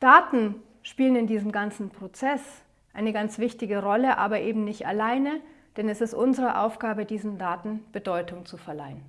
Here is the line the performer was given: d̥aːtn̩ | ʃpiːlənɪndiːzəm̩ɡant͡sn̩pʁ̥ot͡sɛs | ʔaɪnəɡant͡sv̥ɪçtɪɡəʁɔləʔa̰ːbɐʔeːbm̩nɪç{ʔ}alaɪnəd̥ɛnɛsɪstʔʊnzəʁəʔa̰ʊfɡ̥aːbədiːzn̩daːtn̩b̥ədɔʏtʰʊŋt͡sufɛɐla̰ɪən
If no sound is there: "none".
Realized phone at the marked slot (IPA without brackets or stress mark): t